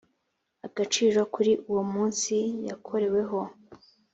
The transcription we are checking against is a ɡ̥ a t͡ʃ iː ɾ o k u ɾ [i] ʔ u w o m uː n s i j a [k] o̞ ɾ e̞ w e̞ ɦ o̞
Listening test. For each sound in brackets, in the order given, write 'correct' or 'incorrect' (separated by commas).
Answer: correct, incorrect